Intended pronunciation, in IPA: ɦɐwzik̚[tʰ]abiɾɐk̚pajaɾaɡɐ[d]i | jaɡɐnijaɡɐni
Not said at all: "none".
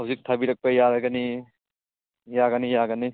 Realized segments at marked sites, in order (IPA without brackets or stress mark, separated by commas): tʰ, n